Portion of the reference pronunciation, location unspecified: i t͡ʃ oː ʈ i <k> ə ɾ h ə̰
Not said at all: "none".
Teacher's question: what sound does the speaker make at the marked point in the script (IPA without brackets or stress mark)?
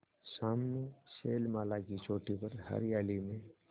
p